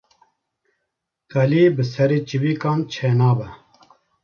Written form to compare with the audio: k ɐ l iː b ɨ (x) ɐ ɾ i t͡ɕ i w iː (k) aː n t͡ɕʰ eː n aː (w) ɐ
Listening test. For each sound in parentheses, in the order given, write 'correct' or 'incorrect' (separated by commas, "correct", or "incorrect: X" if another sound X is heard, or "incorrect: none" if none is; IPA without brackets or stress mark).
incorrect: s, correct, incorrect: b